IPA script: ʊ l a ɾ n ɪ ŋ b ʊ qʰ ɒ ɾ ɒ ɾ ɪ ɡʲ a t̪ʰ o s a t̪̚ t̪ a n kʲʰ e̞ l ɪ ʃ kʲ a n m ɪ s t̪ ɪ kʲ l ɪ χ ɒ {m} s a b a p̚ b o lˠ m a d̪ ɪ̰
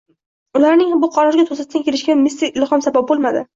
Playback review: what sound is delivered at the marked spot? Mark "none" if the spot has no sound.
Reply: m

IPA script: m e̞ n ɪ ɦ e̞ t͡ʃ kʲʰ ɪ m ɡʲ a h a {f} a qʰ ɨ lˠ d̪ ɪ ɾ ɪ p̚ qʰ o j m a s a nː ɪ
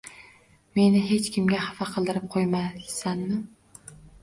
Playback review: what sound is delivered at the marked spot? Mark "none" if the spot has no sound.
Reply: f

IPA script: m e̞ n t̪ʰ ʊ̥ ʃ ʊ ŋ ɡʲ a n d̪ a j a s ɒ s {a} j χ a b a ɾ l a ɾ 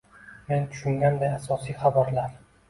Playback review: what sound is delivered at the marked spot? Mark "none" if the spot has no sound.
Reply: i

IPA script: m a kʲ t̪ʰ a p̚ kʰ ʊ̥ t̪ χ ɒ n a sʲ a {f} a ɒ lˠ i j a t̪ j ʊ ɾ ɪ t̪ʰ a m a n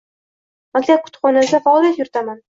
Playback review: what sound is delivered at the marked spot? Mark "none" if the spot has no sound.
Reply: f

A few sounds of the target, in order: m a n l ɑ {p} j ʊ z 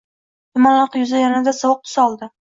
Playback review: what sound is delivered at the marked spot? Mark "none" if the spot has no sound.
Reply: q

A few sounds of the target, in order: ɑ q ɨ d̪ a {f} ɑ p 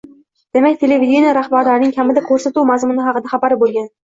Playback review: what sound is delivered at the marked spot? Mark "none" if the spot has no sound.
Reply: χ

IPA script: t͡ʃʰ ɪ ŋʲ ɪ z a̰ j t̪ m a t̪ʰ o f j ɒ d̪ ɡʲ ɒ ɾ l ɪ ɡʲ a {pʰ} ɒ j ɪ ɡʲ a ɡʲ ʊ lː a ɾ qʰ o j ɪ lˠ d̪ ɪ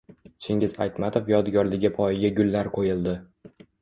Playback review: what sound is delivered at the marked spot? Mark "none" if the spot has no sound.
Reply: pʰ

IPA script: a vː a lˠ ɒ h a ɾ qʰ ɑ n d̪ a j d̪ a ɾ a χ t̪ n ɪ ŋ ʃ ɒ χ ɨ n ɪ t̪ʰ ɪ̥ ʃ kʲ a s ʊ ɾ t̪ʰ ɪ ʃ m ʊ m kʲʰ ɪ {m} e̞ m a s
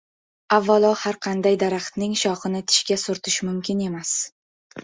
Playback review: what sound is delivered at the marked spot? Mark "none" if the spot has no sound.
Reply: n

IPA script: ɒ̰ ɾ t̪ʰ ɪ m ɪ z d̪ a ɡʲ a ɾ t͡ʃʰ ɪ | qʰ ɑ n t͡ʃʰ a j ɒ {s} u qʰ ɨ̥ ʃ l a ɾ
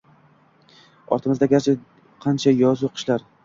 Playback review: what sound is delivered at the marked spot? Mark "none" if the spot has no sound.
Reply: z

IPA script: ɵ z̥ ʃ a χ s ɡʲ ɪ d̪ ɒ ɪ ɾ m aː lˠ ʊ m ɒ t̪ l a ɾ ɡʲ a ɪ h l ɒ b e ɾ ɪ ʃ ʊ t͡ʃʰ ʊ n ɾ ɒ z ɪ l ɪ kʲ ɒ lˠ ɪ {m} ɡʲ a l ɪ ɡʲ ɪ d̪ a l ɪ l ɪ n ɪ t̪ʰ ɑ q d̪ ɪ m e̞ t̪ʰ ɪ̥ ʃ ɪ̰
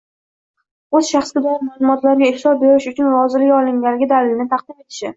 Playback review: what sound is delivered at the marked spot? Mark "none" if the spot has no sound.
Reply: ŋ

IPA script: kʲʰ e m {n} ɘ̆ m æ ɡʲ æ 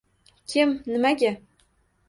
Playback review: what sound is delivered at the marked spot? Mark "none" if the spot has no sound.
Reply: n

